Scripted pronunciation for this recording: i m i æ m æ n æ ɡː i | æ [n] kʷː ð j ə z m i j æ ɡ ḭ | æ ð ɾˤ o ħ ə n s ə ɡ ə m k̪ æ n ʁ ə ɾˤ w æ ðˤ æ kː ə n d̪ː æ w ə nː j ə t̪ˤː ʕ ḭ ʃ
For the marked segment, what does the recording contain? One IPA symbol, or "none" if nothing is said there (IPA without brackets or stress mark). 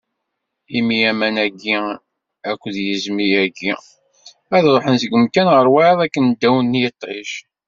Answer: none